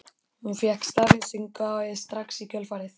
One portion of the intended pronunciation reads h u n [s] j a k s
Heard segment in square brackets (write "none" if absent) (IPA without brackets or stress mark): f